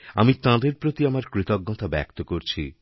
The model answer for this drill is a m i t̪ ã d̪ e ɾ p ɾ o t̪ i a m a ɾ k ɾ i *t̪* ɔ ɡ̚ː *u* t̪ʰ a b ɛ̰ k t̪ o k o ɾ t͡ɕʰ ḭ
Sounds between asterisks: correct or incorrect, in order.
correct, incorrect: ɔ

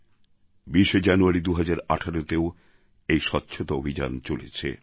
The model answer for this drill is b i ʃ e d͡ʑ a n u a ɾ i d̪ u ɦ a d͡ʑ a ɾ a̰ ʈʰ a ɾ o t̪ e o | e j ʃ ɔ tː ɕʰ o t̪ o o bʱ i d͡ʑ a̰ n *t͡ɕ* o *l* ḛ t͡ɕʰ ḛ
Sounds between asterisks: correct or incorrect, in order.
correct, correct

